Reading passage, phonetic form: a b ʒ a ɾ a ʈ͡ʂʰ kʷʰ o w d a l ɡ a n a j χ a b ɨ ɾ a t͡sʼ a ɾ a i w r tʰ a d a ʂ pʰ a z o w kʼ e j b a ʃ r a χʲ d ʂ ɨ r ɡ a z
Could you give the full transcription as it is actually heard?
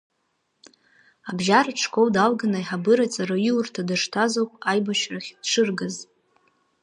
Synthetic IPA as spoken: a b ʒ a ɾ a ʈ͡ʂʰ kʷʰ o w d a l ɡ a n a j ħ a b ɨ ɾ a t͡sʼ a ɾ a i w r tʰ a d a ʂ tʰ a z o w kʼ a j b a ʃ r a χʲ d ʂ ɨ r ɡ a z